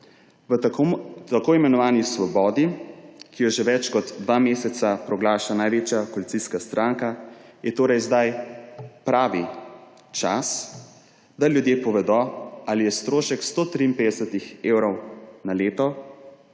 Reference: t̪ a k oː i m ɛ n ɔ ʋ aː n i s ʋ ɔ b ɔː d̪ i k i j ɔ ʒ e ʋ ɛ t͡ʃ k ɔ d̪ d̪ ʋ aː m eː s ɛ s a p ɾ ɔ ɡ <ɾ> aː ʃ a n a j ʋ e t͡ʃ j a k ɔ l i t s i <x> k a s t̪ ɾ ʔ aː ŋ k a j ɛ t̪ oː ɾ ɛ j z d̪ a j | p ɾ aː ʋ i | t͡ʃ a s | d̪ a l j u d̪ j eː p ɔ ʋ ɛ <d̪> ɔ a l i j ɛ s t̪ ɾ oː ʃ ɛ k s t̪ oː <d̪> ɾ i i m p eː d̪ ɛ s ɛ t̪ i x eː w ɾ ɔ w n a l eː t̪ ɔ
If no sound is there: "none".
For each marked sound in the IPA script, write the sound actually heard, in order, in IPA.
l, s, d̪, t̪

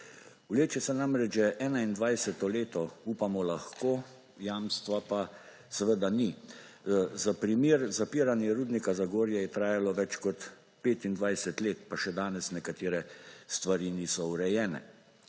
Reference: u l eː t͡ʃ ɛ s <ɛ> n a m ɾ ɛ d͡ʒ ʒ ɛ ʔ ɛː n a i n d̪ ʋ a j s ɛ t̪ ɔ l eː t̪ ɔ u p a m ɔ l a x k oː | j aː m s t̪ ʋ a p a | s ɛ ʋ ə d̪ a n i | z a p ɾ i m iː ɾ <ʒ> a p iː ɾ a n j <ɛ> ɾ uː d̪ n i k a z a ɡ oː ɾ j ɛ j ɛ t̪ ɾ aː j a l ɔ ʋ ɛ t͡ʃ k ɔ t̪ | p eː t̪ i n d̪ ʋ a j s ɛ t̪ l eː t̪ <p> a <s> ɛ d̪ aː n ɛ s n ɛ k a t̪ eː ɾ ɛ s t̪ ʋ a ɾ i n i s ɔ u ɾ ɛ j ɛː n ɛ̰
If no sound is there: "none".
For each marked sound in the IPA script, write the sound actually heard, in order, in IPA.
ɛ, z, ɛ, p, ʃ

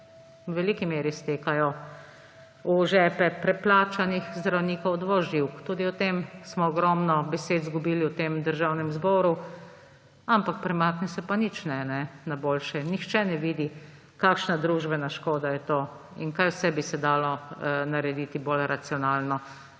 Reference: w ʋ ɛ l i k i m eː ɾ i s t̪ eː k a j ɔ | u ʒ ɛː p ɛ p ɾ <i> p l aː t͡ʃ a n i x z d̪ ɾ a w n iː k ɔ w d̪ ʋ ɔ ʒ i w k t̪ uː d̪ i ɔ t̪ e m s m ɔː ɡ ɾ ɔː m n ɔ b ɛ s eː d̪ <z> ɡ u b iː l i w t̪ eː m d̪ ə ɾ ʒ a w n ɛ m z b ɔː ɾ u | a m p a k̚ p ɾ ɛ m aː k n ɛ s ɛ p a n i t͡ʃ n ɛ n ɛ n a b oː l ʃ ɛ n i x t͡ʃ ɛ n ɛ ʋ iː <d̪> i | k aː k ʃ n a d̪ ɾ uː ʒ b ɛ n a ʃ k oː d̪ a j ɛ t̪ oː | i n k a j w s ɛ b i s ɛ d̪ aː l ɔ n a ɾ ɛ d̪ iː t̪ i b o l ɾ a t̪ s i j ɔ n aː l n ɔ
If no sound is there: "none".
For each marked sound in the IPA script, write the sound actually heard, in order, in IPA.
ɛ, z, d̪

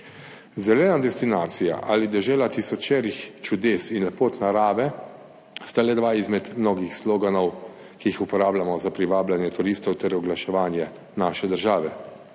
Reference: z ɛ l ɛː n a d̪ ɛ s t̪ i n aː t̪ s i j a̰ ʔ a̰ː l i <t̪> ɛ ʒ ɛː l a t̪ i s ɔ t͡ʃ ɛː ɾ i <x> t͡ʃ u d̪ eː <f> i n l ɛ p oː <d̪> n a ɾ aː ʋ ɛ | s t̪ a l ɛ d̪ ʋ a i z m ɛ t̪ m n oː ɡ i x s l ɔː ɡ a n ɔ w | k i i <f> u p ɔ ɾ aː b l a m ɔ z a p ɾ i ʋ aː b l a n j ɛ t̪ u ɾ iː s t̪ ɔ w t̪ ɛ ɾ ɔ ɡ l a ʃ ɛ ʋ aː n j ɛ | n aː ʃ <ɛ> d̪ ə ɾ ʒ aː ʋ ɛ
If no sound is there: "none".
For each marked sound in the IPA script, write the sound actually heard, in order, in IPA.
d̪, x, s, t̪, x, ɛ

